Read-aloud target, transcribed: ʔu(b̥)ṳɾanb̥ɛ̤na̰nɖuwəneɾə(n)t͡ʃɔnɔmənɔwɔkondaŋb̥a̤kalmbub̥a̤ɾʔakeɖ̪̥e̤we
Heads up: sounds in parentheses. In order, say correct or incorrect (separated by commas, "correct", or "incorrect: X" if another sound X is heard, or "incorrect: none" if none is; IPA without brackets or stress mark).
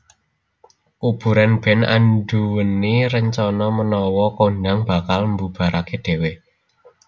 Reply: correct, incorrect: ɲ